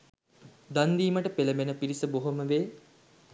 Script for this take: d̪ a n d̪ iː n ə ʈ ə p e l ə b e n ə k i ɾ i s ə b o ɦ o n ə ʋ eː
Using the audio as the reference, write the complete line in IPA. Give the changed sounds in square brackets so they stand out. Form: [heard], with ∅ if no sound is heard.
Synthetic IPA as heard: d̪ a n d̪ iː [m] ə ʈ ə p e l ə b e n ə [p] i ɾ i s ə b o ɦ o [m] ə ʋ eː